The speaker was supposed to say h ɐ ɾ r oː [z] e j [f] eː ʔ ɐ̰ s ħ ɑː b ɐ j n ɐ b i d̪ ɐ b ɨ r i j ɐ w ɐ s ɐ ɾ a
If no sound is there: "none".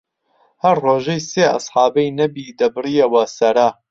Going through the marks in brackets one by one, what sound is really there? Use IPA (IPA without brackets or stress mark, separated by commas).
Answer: ʒ, s